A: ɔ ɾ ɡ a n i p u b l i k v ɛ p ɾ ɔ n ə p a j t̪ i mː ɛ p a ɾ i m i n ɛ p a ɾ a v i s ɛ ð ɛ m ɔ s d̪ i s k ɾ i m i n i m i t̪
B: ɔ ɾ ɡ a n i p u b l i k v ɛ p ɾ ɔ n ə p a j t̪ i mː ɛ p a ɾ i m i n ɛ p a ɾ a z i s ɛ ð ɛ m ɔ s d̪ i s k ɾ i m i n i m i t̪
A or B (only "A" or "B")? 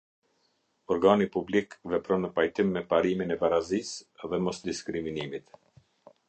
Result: B